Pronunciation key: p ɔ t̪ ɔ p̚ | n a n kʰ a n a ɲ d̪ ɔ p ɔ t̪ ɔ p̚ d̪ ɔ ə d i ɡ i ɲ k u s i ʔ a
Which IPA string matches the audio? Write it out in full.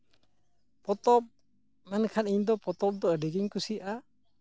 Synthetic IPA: p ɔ t̪ ɔ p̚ | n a n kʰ a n i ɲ d̪ ɔ p ɔ t̪ ɔ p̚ d̪ ɔ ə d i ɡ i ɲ k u s i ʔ a